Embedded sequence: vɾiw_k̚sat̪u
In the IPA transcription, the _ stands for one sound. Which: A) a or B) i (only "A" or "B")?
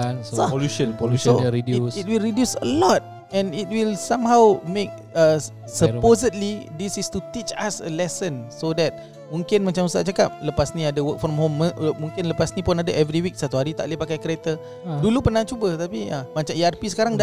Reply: B